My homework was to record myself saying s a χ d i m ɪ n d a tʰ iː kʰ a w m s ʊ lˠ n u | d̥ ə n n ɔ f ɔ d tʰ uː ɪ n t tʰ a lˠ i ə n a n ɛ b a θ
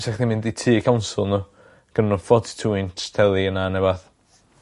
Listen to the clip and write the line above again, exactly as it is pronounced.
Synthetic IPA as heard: s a χ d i m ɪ n d i tʰ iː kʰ a w n s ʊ lˠ n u | ɡ̥ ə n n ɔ f ɔ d tʰ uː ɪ n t tʰ ɛ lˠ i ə n a n ɛ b a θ